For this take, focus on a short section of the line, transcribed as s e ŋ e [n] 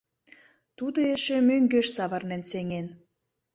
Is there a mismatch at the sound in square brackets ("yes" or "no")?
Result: no